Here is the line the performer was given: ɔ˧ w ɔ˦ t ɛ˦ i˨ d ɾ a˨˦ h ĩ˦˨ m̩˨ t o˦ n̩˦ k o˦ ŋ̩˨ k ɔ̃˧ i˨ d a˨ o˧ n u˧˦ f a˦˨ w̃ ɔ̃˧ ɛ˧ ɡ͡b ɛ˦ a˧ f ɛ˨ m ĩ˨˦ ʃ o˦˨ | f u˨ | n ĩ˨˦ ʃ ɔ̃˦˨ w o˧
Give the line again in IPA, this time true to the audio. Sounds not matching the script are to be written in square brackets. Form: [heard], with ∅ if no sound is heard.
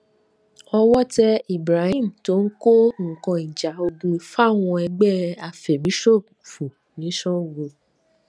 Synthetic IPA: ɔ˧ w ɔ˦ t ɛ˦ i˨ [b] ɾ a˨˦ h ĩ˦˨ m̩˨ t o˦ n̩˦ k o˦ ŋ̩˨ k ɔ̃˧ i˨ [d͡ʒ] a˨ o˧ [d] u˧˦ f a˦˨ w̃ ɔ̃˧ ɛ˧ ɡ͡b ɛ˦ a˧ f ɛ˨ m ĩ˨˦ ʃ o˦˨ | f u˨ | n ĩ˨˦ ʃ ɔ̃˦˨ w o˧